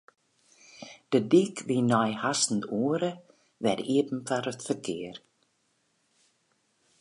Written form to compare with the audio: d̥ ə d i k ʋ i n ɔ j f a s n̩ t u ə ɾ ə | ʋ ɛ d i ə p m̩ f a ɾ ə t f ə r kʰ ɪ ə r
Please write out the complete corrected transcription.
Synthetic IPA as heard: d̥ ə d i k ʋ i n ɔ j h a s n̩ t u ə ɾ ə | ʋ ɛ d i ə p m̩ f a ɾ ə t f ə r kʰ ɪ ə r